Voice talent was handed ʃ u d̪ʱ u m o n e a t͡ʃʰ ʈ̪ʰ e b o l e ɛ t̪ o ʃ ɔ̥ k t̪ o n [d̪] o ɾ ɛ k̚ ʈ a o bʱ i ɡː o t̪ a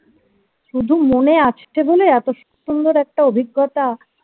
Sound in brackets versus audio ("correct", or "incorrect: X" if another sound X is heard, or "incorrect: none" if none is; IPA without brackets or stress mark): correct